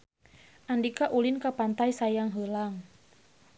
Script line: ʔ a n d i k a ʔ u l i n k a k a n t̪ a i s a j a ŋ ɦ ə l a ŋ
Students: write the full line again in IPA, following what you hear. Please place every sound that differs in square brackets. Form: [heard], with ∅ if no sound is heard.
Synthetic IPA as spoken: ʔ a n d i k a ʔ u l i n k a [p] a n t̪ a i s a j a ŋ ɦ ə l a ŋ